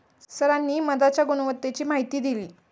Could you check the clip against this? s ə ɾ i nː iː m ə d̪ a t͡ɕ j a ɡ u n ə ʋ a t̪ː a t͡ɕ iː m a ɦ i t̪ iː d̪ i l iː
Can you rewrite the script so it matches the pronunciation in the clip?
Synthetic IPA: s ə ɾ a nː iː m ə d̪ a t͡ɕ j a ɡ u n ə ʋ ə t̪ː e t͡ɕ iː m a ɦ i t̪ iː d̪ i l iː